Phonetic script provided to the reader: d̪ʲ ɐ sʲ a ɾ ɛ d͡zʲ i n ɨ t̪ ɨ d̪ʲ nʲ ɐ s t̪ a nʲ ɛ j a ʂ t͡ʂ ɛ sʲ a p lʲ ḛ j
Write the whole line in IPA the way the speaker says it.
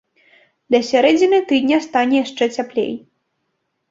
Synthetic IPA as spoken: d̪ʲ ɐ sʲ a ɾ ɛ d͡zʲ i n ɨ t̪ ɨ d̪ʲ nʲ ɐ s t̪ a nʲ ɛ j a ʂ t͡ʂ ɛ t͡sʲ a p lʲ ḛ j